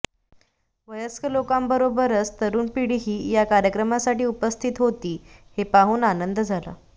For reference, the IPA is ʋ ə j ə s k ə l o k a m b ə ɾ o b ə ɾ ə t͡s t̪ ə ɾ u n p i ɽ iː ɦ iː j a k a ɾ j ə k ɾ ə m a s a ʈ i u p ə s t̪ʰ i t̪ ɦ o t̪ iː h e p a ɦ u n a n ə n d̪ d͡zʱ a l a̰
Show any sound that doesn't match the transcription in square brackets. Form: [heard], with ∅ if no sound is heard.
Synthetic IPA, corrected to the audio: ʋ ə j ə s k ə l o k a m b ə ɾ o b ə ɾ ə t͡s t̪ ə ɾ [uː] n p i ɽ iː ɦ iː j a k a ɾ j ə k ɾ ə m a s a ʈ [iː] u p ə s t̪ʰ i t̪ ɦ o t̪ iː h e p a ɦ [uː] n a n ə n d̪ d͡zʱ a l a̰